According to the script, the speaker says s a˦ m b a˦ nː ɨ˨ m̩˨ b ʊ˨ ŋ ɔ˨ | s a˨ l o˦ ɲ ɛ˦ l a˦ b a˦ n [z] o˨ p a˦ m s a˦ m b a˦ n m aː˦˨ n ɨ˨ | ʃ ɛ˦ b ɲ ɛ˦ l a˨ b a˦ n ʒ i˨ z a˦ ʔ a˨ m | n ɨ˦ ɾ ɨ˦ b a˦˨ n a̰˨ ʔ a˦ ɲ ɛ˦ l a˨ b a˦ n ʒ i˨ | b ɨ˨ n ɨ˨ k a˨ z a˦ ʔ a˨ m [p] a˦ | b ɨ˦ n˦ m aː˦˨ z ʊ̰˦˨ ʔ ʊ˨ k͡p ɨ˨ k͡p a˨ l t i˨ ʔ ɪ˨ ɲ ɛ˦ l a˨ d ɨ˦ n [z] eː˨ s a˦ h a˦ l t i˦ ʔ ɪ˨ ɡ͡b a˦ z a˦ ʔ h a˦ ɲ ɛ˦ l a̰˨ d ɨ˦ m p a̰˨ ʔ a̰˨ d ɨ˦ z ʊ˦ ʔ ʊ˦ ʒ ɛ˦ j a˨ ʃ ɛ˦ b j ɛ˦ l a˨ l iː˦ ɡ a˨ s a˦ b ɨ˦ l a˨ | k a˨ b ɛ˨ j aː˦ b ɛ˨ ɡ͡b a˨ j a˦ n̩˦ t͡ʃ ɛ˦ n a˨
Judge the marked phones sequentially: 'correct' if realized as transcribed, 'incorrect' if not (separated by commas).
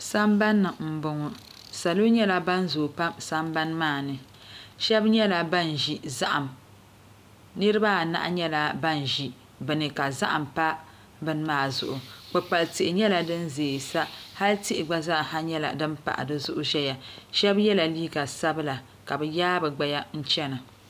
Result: correct, correct, correct